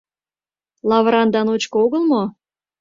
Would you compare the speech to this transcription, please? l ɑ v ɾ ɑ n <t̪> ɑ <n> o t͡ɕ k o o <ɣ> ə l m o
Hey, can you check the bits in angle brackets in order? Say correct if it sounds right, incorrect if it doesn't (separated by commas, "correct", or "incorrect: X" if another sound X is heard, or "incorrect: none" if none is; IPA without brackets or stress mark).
incorrect: d̪, correct, correct